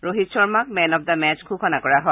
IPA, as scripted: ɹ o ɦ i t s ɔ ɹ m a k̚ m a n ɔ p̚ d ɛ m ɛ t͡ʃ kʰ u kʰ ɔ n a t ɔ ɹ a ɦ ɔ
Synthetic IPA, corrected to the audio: ɹ o ɦ i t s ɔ ɹ m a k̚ m ɛ n ɔ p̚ d a m ɛ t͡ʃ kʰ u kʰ ɔ n a k ɔ ɹ a ɦ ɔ